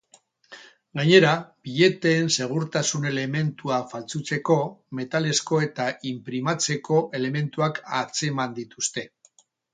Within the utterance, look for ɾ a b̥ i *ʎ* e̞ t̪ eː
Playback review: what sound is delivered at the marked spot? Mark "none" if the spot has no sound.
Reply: ʎ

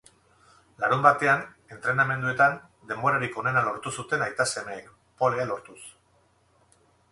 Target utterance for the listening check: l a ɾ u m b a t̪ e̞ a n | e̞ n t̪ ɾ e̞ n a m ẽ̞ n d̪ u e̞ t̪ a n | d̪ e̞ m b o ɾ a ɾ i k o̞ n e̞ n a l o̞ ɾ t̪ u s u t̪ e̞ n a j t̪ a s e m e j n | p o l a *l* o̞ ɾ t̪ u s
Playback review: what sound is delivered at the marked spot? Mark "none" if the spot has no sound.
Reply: l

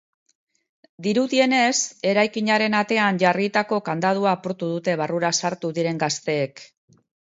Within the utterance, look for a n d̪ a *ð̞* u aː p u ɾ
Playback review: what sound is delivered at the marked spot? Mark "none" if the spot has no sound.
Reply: ð̞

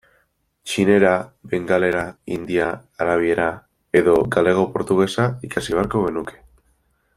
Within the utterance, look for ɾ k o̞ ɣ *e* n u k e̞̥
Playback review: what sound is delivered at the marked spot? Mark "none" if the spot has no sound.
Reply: e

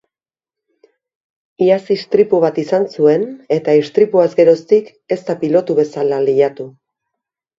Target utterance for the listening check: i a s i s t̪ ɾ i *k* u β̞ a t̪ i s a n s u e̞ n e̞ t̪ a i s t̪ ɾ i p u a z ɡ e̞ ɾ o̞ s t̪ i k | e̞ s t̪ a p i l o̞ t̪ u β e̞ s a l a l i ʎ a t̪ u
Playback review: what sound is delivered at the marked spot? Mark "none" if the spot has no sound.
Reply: p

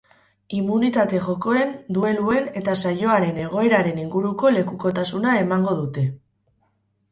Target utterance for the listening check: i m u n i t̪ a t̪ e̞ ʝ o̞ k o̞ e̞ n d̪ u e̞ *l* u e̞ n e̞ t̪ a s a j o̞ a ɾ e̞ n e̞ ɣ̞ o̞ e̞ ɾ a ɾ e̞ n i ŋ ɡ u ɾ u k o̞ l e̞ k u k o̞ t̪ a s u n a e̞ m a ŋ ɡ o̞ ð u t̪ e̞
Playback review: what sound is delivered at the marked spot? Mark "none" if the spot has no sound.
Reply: l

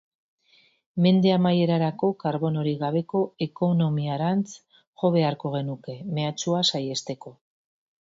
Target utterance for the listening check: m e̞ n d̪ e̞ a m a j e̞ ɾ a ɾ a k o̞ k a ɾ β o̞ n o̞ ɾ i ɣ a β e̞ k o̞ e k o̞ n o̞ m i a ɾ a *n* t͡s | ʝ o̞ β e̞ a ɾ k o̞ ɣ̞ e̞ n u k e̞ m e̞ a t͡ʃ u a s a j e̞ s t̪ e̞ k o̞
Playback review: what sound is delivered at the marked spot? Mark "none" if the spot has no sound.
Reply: n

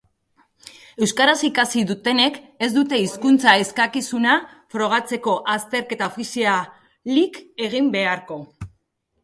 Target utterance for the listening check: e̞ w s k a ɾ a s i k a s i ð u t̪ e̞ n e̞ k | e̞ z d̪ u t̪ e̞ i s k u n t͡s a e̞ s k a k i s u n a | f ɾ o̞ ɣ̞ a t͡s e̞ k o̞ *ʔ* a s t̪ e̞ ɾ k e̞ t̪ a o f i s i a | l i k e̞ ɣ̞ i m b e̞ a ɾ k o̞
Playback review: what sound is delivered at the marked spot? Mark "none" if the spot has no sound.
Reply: ʔ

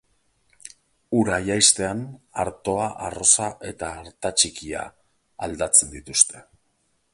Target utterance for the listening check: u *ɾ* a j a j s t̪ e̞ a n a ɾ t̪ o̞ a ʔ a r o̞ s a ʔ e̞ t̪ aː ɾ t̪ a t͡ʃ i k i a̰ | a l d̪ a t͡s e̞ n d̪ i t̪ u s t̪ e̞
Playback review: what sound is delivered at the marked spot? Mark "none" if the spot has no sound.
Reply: ɾ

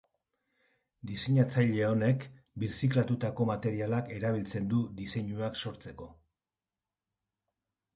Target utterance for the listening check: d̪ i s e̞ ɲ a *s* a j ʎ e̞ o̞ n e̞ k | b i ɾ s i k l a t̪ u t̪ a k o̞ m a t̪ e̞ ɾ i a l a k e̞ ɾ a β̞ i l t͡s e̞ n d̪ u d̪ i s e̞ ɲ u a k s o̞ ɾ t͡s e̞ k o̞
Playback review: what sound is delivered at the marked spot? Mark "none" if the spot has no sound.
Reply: t͡s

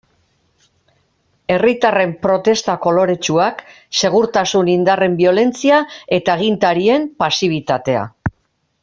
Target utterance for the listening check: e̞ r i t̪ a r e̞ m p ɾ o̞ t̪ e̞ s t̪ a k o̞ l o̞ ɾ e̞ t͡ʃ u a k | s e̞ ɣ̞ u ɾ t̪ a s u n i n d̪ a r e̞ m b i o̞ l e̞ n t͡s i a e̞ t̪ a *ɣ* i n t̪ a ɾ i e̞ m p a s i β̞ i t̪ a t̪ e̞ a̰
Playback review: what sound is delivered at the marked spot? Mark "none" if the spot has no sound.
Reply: ɣ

